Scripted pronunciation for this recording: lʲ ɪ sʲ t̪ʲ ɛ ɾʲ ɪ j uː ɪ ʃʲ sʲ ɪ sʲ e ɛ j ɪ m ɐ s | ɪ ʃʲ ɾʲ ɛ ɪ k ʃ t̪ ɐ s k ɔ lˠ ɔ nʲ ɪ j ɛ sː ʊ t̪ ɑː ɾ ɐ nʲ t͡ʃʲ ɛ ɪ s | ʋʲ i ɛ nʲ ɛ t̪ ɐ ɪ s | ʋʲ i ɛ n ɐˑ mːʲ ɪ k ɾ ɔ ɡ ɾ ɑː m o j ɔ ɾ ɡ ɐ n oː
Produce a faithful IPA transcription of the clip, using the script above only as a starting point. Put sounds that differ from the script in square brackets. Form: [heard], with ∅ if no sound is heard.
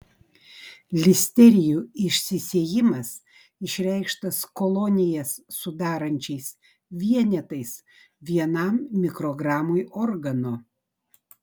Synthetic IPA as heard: lʲ ɪ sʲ t̪ʲ ɛ ɾʲ ɪ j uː ɪ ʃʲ sʲ ɪ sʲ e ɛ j ɪ m ɐ s | ɪ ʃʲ ɾʲ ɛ ɪ k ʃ t̪ ɐ s k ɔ lˠ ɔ nʲ ɪ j ɛ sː ʊ [d̪] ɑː ɾ ɐ nʲ t͡ʃʲ ɛ ɪ s | ʋʲ i ɛ nʲ ɛ t̪ ɐ ɪ s | ʋʲ i ɛ n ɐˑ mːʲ ɪ k ɾ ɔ ɡ ɾ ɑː m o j ɔ ɾ ɡ ɐ n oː